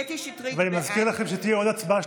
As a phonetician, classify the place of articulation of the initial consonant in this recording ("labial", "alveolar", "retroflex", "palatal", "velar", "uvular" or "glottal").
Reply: labial